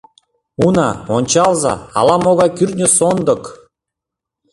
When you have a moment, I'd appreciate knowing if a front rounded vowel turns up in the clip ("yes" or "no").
yes